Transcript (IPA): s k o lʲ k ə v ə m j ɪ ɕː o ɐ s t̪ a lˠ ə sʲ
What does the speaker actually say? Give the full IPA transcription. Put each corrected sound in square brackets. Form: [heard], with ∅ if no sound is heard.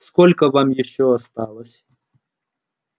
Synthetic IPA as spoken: s k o lʲ k ə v [a] m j ɪ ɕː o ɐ s t̪ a lˠ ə sʲ